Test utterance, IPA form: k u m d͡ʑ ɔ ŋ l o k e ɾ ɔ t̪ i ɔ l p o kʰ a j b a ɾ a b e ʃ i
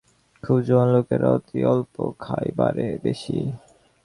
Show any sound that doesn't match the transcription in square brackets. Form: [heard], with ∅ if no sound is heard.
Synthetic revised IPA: [kʰ] u [b] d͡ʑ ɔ [n] l o k e ɾ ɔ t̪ i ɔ l p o kʰ a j b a ɾ [e] b e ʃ i

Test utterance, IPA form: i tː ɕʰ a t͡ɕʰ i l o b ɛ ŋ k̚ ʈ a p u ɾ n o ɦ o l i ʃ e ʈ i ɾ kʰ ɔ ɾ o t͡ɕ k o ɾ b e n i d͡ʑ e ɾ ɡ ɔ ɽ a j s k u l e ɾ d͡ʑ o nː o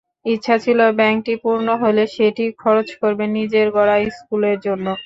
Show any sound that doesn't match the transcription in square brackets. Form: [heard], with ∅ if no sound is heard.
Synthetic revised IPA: i tː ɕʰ a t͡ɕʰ i l o b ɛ ŋ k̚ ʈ [i] p u ɾ n o ɦ o l [e] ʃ e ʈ i [∅] kʰ ɔ ɾ o t͡ɕ k o ɾ b e n i d͡ʑ e ɾ ɡ ɔ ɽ a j s k u l e ɾ d͡ʑ o nː o

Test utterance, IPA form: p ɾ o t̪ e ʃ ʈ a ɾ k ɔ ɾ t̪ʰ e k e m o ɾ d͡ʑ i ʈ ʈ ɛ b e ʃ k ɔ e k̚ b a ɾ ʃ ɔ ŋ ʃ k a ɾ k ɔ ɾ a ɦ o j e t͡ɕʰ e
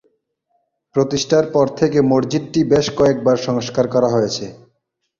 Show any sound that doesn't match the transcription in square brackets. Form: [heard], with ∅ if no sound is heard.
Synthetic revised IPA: p ɾ o t̪ [i] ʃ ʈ a ɾ [p] ɔ ɾ t̪ʰ e k e m o ɾ d͡ʑ i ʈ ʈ [i] b e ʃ k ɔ e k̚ b a ɾ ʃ ɔ ŋ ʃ k a ɾ k ɔ ɾ a ɦ o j e t͡ɕʰ e

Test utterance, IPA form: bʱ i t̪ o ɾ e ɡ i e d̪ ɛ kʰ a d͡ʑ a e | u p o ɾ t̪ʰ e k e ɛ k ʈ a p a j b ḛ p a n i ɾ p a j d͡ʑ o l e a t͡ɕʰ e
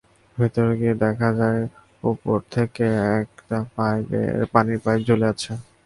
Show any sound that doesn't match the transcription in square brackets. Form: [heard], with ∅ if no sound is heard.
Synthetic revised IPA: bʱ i t̪ o ɾ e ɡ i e d̪ ɛ kʰ a d͡ʑ a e | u p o ɾ t̪ʰ e k e ɛ k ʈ a p a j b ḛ p a n i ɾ p a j d͡ʑ o l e a t͡ɕʰ e

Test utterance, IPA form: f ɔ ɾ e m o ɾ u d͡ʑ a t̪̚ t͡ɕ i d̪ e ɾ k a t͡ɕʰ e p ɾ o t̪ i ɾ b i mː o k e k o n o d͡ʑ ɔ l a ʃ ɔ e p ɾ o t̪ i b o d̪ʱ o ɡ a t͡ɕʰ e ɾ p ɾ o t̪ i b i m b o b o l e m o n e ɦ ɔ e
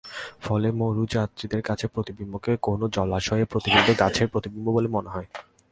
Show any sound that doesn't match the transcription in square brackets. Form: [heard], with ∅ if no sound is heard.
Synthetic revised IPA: f ɔ [l] e m o ɾ u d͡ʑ a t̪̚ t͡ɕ i d̪ e ɾ k a t͡ɕʰ e p ɾ o t̪ i [∅] b i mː o k e k o n o d͡ʑ ɔ l a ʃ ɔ e p ɾ o t̪ i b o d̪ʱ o ɡ a t͡ɕʰ e ɾ p ɾ o t̪ i b i m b o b o l e m o n e ɦ ɔ e

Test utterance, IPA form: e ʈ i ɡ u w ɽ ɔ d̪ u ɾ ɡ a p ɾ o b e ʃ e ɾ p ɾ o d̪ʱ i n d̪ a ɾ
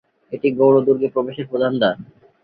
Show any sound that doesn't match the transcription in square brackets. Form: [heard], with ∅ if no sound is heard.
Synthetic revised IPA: e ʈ i ɡ [o] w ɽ [o] d̪ u ɾ ɡ [e] p ɾ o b e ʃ e ɾ p ɾ o d̪ʱ [a] n d̪ a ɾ

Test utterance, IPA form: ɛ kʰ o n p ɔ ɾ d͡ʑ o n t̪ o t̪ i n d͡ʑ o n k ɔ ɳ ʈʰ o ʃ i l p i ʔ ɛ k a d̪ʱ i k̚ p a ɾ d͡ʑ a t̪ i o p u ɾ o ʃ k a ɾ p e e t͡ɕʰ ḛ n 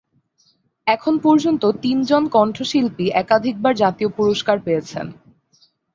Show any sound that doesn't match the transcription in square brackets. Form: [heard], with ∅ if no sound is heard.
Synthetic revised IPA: ɛ kʰ o n p ɔ ɾ d͡ʑ o n t̪ o t̪ i n d͡ʑ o n k ɔ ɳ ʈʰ o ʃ i l p i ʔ ɛ k a d̪ʱ i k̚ [b] a ɾ d͡ʑ a t̪ i o p u ɾ o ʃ k a ɾ p e e t͡ɕʰ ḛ n

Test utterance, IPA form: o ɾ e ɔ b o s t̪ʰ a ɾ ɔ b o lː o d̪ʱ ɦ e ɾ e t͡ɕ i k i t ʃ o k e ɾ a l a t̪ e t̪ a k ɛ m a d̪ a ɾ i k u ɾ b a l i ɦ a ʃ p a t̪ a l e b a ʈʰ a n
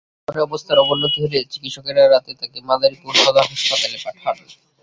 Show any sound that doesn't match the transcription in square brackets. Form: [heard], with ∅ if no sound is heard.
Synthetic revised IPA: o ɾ e ɔ b o s t̪ʰ a ɾ ɔ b o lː o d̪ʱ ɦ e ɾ e t͡ɕ i k i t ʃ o k e ɾ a [ɾ] a t̪ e t̪ a k [e] m a d̪ a ɾ i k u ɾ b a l [a] ɦ a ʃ p a t̪ a l e [p] a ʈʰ a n

